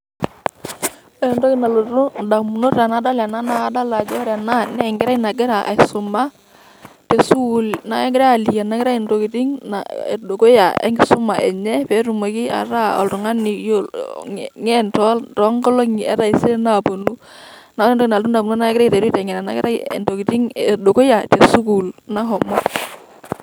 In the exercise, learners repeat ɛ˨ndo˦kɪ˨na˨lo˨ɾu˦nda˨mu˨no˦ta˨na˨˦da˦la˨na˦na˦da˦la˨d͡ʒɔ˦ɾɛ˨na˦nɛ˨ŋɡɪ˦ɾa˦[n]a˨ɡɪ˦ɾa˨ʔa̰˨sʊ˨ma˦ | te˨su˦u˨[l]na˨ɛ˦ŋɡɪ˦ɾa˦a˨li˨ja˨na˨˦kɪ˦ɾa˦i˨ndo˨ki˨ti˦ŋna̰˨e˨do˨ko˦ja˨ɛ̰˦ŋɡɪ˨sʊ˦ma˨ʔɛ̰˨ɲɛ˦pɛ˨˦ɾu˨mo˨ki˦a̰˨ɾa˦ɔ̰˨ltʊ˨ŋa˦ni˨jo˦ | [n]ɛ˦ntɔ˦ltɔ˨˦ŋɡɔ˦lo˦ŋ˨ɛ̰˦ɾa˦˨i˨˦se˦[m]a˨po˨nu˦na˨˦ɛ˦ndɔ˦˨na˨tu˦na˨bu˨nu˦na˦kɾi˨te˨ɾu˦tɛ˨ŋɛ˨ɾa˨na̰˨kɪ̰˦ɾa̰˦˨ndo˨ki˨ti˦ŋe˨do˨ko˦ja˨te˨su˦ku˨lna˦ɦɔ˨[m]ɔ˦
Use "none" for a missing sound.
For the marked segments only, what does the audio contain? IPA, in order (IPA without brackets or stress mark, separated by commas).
n, l, ŋ, n, m